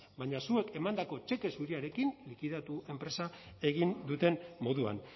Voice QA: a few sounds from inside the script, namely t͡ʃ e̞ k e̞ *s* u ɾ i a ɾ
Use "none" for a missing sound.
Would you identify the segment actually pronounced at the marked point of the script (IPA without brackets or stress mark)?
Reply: s